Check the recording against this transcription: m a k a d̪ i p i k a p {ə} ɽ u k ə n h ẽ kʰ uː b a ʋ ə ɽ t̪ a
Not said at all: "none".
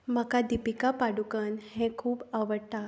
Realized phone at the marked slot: a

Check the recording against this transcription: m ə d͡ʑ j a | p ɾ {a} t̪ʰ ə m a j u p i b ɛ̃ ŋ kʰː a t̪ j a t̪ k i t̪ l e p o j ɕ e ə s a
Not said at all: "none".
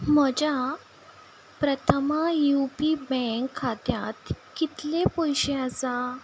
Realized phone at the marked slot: ə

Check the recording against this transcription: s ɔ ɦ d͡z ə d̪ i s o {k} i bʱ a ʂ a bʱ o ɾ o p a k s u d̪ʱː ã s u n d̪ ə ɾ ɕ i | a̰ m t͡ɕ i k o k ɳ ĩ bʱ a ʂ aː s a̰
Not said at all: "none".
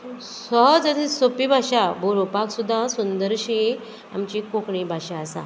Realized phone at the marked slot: p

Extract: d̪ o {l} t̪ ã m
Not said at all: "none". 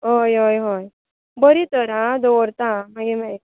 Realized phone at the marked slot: ɾ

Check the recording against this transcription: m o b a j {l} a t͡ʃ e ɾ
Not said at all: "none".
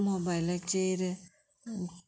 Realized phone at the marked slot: l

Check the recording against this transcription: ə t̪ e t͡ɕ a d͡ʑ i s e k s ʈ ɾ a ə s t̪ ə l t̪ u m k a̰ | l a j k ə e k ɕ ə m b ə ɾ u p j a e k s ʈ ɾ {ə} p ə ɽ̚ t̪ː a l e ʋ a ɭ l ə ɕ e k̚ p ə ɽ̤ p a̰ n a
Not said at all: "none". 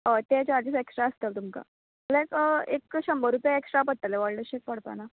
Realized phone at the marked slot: a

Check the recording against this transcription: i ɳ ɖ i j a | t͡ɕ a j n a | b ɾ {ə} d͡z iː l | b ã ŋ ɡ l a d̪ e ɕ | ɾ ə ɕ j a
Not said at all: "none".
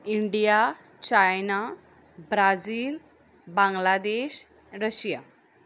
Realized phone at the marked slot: a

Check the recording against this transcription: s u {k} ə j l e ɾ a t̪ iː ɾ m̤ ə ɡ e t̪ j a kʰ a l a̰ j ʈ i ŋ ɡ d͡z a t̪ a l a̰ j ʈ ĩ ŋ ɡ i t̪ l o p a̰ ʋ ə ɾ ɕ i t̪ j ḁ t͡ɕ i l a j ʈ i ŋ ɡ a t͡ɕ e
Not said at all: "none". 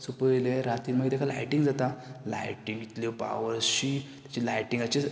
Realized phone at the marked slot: p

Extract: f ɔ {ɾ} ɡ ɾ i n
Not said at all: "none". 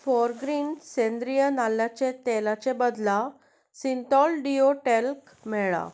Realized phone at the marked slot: ɾ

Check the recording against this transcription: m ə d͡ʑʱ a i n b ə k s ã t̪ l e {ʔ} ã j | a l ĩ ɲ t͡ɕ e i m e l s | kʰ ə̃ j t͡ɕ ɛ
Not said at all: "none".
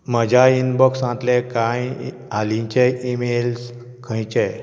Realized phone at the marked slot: k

